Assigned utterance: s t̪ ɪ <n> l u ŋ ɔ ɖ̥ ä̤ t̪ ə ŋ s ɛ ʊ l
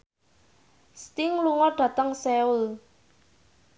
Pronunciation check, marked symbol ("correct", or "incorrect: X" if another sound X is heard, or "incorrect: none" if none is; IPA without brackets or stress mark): incorrect: ŋ